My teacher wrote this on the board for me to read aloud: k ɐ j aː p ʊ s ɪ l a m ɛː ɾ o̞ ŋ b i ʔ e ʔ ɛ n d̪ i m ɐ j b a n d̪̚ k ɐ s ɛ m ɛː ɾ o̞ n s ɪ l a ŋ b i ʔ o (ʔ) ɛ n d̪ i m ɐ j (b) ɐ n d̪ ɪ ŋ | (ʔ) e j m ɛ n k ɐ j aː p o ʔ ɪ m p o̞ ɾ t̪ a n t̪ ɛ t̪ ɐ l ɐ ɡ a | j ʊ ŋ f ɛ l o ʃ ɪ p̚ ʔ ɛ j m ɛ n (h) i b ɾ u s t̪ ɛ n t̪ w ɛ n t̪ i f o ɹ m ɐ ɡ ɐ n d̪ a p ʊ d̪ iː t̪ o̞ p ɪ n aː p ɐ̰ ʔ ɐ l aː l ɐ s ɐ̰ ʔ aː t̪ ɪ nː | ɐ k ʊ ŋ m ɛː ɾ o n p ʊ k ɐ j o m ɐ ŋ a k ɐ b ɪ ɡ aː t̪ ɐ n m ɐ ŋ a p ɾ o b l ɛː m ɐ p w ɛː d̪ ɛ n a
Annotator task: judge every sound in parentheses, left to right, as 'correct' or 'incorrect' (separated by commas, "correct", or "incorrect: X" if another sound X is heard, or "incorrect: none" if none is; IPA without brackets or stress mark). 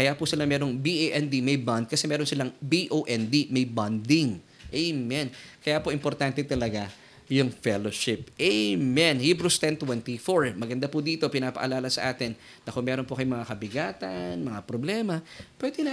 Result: correct, correct, correct, correct